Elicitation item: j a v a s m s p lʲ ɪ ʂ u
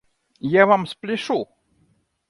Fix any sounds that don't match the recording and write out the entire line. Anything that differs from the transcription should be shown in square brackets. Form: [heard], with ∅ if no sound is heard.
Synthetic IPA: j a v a [∅] m s p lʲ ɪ ʂ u

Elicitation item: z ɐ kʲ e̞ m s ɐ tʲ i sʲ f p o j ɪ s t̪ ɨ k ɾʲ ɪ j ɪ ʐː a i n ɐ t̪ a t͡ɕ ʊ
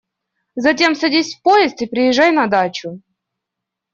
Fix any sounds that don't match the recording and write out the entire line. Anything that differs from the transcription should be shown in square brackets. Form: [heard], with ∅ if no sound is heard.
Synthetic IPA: z ɐ [tʲ] e̞ m s ɐ [dʲ] i sʲ f p o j ɪ s t̪ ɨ [p] ɾʲ ɪ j ɪ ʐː a [j] n ɐ [d̪] a t͡ɕ ʊ

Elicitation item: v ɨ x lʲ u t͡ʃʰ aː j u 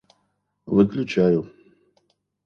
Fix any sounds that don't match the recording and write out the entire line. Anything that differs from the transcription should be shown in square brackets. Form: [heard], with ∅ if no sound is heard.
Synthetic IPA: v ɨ [k] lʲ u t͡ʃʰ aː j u

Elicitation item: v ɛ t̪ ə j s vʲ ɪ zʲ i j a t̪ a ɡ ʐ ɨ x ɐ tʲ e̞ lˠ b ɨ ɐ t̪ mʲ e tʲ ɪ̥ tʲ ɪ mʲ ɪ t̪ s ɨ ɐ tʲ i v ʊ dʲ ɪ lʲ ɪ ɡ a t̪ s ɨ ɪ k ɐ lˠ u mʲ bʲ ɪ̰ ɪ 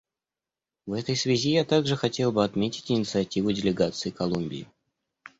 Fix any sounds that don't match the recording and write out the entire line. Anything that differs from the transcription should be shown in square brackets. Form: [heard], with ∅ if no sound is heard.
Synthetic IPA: v ɛ t̪ ə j s vʲ ɪ zʲ i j a t̪ a ɡ ʐ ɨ x ɐ tʲ e̞ lˠ b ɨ ɐ t̪ mʲ e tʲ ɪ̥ tʲ ɪ [nʲ] ɪ t̪ s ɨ ɐ tʲ i v ʊ dʲ ɪ lʲ ɪ ɡ a t̪ s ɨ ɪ k ɐ lˠ u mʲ bʲ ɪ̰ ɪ

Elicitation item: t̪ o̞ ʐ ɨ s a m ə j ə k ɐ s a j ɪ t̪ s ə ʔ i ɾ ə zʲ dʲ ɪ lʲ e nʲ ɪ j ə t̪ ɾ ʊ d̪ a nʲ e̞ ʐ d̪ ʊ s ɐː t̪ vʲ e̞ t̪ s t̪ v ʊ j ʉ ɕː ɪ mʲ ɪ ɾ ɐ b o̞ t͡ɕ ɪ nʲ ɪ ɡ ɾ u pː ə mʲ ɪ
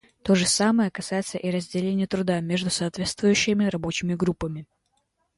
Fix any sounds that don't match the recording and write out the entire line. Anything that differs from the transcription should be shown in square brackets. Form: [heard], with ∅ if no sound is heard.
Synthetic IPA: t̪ o̞ ʐ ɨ s a m ə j ə k ɐ s a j ɪ t̪ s ə ʔ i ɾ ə zʲ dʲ ɪ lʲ e nʲ ɪ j ə t̪ ɾ ʊ d̪ a [mʲ] e̞ ʐ d̪ ʊ s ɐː t̪ vʲ e̞ t̪ s t̪ v ʊ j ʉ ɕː ɪ mʲ ɪ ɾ ɐ b o̞ t͡ɕ ɪ [mʲ] ɪ ɡ ɾ u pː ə mʲ ɪ

